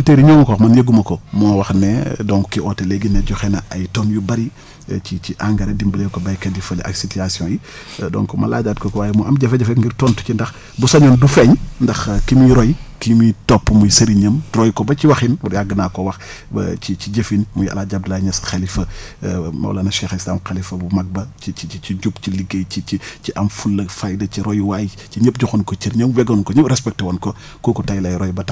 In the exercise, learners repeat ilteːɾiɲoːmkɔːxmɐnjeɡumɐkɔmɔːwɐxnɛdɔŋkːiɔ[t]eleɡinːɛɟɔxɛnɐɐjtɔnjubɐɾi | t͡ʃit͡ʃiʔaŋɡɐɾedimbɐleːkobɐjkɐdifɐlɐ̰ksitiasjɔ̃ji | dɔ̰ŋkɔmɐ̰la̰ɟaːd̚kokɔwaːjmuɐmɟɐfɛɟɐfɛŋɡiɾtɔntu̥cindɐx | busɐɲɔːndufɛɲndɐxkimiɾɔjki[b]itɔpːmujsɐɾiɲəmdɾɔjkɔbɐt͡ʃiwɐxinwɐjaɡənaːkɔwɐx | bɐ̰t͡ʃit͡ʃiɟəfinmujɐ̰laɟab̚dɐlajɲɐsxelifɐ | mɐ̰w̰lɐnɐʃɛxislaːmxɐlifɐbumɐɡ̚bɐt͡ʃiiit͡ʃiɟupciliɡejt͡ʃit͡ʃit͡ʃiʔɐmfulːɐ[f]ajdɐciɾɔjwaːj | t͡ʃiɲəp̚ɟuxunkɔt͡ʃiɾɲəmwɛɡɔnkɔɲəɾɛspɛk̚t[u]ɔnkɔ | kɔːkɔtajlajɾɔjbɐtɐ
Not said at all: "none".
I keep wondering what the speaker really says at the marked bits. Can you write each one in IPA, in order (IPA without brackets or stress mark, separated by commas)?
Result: t, m, f, w